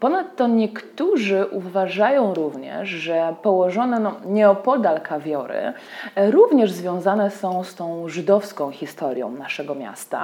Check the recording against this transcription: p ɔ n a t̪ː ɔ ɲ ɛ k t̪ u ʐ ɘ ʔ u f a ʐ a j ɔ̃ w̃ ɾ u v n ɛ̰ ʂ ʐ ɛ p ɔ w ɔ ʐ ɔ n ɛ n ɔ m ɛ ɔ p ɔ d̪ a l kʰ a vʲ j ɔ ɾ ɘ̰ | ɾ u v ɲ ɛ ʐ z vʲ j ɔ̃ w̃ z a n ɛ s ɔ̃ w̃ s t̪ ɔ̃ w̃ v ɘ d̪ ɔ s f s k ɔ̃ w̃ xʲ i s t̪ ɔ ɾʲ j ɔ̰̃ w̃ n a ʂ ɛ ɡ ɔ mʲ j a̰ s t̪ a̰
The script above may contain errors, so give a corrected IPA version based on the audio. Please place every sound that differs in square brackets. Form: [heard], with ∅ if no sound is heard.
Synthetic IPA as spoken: p ɔ n a t̪ː ɔ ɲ ɛ k t̪ u ʐ ɘ ʔ u [v] a ʐ a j ɔ̃ w̃ ɾ u v [ɲ] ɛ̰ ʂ ʐ ɛ p ɔ w ɔ ʐ ɔ n ɛ n ɔ [ɲ] ɛ ɔ p ɔ d̪ a l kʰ a vʲ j ɔ ɾ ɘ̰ | ɾ u v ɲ ɛ ʐ z vʲ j ɔ̃ w̃ z a n ɛ s ɔ̃ w̃ s t̪ ɔ̃ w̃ [ʐ] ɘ d̪ ɔ [∅] f s k ɔ̃ w̃ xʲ i s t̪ ɔ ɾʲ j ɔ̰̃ w̃ n a ʂ ɛ ɡ ɔ mʲ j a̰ s t̪ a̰